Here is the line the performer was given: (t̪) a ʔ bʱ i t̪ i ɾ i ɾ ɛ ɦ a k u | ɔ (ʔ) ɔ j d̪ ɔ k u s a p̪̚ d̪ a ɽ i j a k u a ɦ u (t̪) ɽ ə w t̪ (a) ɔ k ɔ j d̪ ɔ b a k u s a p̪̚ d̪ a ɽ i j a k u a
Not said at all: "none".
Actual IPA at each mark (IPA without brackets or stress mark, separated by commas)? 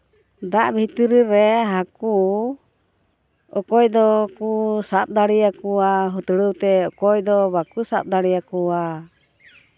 d̪, k, t̪, ɛ